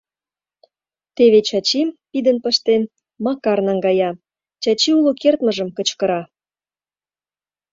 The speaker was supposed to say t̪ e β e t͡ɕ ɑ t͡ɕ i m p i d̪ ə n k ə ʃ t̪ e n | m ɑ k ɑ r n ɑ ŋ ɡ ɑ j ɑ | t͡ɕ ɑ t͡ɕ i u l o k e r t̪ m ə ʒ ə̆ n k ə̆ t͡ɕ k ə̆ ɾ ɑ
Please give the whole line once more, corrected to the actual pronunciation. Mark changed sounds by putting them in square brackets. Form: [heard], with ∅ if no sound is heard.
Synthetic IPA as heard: t̪ e β e t͡ɕ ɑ t͡ɕ i m p i d̪ ə n [p] ə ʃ t̪ e n | m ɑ k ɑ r n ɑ ŋ ɡ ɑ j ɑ | t͡ɕ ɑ t͡ɕ i u l o k e r t̪ m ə ʒ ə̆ [m] k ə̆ t͡ɕ k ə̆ ɾ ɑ